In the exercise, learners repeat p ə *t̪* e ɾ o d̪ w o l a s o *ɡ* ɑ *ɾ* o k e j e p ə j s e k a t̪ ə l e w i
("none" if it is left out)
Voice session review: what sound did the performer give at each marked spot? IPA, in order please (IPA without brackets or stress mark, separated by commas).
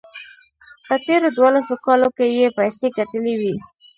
t̪, k, l